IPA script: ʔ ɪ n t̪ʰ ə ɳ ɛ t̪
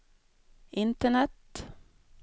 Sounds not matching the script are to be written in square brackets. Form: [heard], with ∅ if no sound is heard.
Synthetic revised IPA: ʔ ɪ n [t̪] ə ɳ ɛ t̪